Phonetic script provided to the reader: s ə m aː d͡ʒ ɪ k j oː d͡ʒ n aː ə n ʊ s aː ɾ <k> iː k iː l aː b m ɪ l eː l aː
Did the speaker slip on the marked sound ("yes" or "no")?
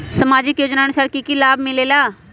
no